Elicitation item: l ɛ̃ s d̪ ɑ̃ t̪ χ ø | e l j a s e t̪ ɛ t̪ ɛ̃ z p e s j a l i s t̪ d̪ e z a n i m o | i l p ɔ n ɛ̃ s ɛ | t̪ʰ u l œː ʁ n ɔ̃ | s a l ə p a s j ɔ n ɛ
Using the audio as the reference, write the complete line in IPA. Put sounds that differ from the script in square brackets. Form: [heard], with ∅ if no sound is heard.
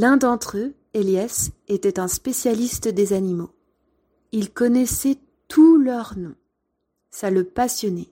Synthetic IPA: l ɛ̃ [∅] d̪ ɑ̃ t̪ χ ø | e l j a s e t̪ ɛ t̪ ɛ̃ [s] p e s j a l i s t̪ d̪ e z a n i m o | i l [k] ɔ n [ɛ] s ɛ | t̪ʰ u l [œ] ʁ n ɔ̃ | s a l ə p a s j ɔ n ɛ